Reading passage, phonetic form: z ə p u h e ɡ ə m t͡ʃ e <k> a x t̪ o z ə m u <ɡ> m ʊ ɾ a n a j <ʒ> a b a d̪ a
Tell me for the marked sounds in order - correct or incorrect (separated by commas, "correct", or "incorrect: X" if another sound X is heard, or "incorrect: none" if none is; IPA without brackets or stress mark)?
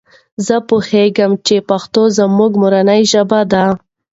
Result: incorrect: p, correct, correct